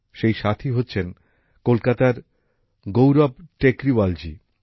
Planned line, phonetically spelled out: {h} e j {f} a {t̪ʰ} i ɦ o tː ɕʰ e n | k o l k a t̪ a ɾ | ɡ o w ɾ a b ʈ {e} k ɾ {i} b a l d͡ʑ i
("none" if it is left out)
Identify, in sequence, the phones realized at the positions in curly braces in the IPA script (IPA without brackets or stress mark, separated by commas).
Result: ʃ, ʃ, t̪ʰ, e, i